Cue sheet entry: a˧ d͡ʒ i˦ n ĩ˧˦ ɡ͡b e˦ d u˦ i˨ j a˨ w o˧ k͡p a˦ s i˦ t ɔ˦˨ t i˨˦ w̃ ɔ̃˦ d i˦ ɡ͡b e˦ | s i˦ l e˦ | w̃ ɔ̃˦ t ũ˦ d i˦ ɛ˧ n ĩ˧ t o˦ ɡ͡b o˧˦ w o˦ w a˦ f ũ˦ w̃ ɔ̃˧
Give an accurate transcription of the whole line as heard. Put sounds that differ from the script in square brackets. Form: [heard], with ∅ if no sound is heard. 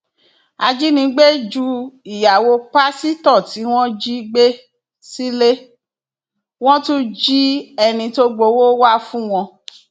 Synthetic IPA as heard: a˧ d͡ʒ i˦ n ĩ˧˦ ɡ͡b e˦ [d͡ʒ] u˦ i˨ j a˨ w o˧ k͡p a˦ s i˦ t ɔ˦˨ t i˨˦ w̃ ɔ̃˦ [d͡ʒ] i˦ ɡ͡b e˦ | s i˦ l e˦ | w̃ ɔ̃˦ t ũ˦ [d͡ʒ] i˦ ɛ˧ n ĩ˧ t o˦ ɡ͡b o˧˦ w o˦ w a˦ f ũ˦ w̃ ɔ̃˧